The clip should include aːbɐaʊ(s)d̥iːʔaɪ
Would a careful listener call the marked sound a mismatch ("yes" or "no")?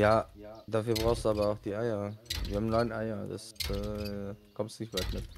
yes